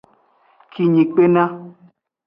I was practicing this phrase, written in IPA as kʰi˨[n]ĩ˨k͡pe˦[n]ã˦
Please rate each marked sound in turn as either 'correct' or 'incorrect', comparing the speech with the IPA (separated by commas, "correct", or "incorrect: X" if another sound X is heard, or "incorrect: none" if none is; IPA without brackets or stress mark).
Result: incorrect: ɲ, correct